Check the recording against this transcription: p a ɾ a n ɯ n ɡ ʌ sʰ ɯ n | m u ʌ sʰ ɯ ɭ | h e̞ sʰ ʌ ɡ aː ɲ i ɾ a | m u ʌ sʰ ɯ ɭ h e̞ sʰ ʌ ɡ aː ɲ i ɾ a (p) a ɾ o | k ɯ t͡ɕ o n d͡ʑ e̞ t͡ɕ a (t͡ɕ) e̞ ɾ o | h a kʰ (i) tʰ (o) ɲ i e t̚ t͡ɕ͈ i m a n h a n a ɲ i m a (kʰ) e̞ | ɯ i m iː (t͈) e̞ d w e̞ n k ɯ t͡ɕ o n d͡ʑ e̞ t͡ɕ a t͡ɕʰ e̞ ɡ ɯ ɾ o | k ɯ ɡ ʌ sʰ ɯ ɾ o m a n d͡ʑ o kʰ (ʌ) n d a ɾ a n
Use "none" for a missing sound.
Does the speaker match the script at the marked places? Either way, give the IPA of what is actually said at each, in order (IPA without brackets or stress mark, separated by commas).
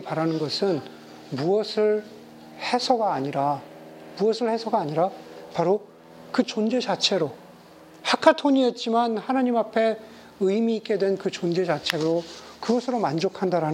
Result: p, t͡ɕʰ, a, o, pʰ, k͈, a